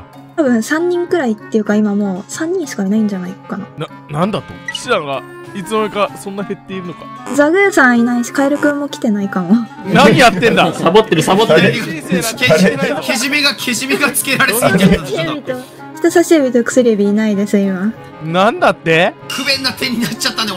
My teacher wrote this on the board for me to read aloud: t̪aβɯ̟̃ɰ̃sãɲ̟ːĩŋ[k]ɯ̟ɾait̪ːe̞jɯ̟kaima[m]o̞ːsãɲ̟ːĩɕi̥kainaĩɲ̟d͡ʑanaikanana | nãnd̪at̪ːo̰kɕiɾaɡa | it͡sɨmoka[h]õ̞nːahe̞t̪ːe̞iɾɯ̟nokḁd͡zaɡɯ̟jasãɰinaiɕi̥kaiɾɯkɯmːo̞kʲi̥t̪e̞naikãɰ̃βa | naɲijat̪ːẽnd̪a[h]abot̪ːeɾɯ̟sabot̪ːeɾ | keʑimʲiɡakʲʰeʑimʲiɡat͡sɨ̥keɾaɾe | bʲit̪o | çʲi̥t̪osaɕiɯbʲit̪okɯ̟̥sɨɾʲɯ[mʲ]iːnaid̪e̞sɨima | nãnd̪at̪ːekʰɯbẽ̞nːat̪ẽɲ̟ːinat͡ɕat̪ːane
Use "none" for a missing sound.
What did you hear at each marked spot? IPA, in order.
k, m, s, s, bʲ

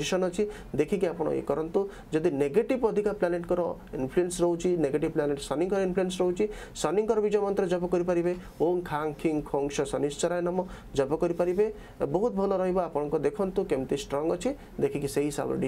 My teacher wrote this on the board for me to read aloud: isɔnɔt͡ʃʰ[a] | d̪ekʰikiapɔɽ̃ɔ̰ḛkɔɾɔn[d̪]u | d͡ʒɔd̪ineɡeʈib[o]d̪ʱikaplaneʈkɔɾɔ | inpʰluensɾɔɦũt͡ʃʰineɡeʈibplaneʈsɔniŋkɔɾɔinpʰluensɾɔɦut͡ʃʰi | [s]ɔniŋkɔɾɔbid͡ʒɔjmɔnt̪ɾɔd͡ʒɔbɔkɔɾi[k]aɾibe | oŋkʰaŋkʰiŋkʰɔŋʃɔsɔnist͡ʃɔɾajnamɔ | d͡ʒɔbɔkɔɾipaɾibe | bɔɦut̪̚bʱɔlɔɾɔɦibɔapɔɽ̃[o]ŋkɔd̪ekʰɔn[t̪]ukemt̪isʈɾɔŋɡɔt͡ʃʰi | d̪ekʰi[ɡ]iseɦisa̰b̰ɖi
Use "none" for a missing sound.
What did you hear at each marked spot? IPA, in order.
i, t̪, ɔ, s, p, ɔ, t̪, k

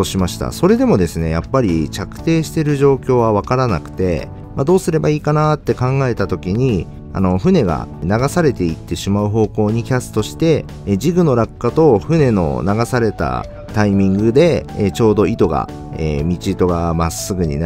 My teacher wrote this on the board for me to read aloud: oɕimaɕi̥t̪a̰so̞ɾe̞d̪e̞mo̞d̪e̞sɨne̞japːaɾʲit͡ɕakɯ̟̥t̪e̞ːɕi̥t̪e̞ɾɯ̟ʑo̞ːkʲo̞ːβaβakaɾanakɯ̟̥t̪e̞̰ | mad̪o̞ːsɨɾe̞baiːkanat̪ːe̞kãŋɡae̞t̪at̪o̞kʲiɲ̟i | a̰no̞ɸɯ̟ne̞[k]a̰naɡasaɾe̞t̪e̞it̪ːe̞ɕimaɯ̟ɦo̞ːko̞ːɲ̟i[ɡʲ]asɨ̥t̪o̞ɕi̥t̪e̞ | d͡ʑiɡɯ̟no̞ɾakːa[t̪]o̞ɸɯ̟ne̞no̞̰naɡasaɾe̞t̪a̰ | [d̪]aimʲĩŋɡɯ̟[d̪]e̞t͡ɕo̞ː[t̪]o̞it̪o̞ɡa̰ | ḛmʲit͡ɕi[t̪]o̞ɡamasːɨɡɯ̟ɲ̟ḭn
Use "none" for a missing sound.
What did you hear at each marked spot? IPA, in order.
ɡ, kʲ, t̪, t̪, d̪, d̪, t̪

